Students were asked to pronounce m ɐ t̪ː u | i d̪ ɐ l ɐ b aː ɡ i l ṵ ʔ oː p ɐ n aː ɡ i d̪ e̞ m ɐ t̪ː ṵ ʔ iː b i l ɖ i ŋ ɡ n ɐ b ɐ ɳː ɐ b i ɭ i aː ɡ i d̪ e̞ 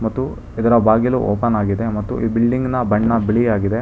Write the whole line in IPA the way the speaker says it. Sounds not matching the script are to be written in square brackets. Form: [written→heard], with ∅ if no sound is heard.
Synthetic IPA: m ɐ t̪ː u | i d̪ ɐ [l→ɾ] ɐ b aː ɡ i l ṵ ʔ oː p ɐ n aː ɡ i d̪ e̞ m ɐ t̪ː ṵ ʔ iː b i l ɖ i ŋ ɡ n ɐ b ɐ ɳː ɐ b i ɭ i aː ɡ i d̪ e̞